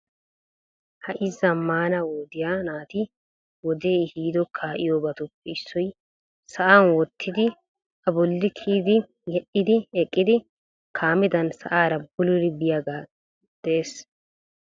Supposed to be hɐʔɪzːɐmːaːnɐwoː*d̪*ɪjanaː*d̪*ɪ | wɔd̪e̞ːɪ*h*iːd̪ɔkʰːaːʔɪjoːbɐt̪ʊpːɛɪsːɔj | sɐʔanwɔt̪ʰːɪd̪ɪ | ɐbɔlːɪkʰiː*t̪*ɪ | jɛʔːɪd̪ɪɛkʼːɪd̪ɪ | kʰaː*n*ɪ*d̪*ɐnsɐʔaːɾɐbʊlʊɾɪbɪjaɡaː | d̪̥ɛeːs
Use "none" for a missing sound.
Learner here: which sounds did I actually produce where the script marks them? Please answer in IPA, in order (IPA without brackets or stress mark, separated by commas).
d̪, t̪, h, d̪, m, d̪